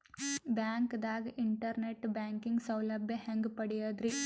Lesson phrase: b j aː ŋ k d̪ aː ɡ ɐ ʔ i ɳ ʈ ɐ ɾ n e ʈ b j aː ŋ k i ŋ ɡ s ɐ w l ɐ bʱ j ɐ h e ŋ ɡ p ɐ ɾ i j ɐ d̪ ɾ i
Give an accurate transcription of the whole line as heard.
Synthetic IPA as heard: b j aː ŋ k d̪ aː ɡ ɐ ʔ i ɳ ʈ ɐ ɾ n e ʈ b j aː ŋ k i ŋ ɡ s ɐ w l ɐ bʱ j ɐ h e ŋ ɡ p ɐ ɽ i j ɐ d̪ ɾ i